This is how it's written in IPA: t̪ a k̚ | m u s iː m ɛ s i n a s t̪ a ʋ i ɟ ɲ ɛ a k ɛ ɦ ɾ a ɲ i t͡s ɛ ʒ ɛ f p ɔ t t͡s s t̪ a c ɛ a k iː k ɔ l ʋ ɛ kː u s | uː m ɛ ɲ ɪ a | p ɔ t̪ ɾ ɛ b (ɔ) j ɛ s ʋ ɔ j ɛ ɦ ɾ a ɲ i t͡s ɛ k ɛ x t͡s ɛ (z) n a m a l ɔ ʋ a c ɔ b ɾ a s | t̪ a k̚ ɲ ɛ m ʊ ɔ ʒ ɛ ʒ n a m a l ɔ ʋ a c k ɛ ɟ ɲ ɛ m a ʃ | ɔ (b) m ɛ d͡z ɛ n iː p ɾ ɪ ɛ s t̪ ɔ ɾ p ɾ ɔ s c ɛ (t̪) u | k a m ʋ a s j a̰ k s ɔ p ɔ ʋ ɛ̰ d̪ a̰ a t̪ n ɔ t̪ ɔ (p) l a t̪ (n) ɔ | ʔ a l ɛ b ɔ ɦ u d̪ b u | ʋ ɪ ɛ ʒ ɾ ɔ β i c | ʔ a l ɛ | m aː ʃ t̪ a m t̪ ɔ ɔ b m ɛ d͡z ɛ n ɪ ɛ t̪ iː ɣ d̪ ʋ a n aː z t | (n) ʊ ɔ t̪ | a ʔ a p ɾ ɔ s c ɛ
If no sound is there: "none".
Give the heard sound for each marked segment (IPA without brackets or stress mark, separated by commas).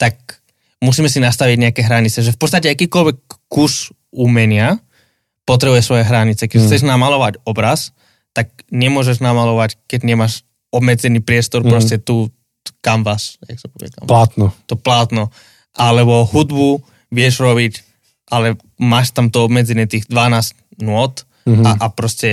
u, ʒ, b, t̪, p, n, n